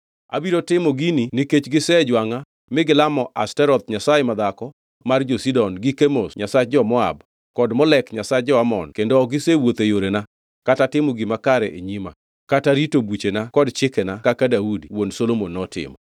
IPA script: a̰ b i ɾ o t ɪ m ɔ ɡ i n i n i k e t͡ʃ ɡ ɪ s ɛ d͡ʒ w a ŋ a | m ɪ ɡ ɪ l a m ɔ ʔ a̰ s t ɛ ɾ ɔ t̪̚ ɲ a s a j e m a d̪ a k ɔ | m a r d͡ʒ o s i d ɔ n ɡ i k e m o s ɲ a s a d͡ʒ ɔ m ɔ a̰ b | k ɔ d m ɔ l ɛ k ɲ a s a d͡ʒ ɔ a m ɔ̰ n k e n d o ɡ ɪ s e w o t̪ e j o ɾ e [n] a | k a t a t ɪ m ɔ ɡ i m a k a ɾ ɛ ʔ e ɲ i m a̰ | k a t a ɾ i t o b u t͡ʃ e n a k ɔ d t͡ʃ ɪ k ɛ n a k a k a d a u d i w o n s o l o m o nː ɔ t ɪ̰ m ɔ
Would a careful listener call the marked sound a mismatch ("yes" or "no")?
no